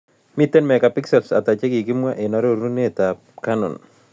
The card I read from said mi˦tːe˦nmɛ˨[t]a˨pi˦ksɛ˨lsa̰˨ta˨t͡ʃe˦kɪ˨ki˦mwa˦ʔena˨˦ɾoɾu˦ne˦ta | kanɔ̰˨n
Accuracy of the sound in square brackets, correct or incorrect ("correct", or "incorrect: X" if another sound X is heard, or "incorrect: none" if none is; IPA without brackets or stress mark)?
incorrect: k